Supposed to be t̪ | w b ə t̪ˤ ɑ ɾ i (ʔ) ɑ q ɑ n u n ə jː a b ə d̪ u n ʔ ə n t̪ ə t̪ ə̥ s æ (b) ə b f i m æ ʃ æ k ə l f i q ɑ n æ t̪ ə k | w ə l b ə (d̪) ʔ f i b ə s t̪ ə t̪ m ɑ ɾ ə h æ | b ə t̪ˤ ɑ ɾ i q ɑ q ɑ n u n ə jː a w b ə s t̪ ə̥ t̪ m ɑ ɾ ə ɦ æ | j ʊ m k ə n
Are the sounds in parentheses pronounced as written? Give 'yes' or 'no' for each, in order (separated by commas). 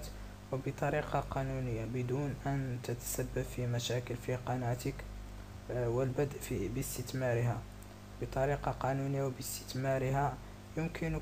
no, no, yes